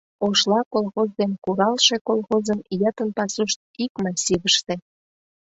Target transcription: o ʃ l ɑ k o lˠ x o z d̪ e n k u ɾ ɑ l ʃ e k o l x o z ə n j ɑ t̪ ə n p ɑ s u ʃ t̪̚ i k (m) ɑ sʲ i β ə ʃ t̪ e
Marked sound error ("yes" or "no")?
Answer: no